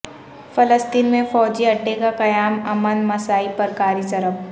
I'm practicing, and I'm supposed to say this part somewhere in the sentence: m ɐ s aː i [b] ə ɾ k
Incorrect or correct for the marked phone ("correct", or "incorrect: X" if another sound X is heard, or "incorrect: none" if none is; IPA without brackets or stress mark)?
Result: incorrect: p